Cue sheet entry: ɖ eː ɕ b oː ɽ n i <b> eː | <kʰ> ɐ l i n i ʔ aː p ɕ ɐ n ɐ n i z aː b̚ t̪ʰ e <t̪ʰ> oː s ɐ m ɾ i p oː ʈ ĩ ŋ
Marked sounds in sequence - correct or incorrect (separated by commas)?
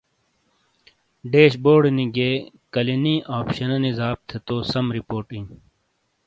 incorrect, incorrect, incorrect